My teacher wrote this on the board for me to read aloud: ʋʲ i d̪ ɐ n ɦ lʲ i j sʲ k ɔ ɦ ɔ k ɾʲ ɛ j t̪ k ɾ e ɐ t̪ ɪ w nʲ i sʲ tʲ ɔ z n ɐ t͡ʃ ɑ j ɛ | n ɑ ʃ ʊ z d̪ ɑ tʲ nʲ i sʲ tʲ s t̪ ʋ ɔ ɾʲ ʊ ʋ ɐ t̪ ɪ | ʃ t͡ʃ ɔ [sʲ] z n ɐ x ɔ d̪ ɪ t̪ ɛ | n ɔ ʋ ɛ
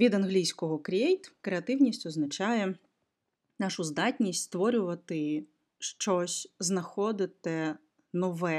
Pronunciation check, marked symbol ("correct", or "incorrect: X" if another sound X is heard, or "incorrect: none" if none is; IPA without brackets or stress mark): correct